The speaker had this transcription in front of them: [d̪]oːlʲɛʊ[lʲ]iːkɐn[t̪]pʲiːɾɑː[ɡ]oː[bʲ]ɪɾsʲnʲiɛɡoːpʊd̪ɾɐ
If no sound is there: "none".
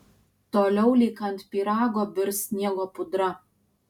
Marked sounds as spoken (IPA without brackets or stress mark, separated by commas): t̪, lʲ, t̪, ɡ, bʲ